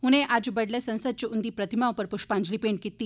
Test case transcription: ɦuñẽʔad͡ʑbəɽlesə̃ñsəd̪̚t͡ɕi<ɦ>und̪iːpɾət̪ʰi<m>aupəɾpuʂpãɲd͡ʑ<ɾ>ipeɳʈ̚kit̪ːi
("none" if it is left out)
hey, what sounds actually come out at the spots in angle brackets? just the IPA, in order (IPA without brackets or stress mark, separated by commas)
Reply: none, m, l